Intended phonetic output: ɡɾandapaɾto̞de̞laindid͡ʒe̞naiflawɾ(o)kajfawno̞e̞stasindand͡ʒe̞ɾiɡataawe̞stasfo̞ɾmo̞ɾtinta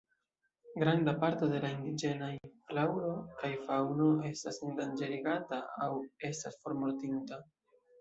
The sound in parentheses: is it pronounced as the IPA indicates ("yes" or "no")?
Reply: yes